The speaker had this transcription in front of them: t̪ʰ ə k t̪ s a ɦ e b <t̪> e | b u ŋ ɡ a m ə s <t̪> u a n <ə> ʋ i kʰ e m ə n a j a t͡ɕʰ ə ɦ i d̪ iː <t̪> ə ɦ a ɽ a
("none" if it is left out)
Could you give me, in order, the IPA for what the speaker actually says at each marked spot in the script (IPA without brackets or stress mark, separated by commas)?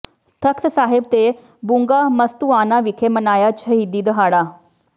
t̪, t̪, a, d̪